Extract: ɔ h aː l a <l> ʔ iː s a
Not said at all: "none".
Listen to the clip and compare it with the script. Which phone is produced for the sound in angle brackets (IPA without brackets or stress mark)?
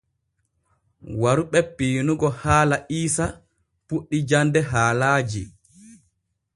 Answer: none